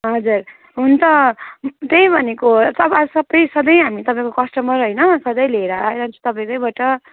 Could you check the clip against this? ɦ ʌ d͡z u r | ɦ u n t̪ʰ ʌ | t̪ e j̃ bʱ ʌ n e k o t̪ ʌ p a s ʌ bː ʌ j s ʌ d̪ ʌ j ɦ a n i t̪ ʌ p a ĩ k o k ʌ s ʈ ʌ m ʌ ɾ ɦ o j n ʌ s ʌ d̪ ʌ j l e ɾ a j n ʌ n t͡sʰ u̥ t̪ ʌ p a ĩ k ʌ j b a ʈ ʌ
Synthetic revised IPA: ɦ ʌ d͡z u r | ɦ u n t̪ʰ ʌ | t̪ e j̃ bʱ ʌ n e k o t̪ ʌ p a s ʌ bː ʌ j s ʌ d̪ ʌ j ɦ a m i t̪ ʌ p a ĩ k o k ʌ s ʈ ʌ m ʌ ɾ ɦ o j n ʌ s ʌ d̪ ʌ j l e ɾ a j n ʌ n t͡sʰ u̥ t̪ ʌ p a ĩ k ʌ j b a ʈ ʌ

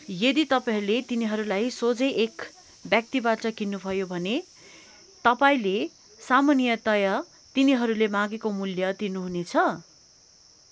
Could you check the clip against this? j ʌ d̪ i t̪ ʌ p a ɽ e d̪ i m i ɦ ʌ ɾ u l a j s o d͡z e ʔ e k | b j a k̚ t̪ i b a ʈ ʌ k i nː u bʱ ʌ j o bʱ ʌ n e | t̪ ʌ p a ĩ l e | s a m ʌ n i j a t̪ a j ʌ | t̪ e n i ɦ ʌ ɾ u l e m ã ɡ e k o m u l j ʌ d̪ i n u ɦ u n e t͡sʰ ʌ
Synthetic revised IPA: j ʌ d̪ i t̪ ʌ p a l e t̪ i n i ɦ ʌ ɾ u l a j s o d͡z e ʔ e k | b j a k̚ t̪ i b a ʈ ʌ k i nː u bʱ ʌ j o bʱ ʌ n e | t̪ ʌ p a ĩ l e | s a m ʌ n i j ʌ t̪ ʌ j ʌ | t̪ i n i ɦ ʌ ɾ u l e m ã ɡ e k o m u l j ʌ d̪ i n u ɦ u n e t͡sʰ ʌ

